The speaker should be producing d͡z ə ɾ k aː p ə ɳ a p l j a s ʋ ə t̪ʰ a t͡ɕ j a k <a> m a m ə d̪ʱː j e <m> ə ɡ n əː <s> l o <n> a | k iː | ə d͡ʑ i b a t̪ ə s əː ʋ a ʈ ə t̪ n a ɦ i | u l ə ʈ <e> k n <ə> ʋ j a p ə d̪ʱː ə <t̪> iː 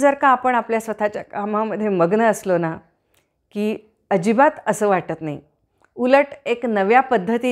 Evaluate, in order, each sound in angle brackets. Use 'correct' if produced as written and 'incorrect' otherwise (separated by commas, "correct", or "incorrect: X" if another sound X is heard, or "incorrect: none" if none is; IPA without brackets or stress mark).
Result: correct, correct, correct, correct, correct, correct, correct